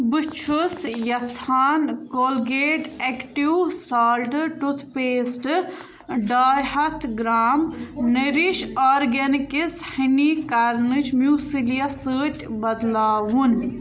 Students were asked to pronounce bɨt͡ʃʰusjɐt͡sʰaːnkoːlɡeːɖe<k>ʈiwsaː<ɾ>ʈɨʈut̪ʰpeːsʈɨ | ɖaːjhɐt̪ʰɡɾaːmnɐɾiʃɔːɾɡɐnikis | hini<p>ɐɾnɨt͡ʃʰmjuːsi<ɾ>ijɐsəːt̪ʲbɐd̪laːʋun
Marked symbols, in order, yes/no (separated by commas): yes, no, no, no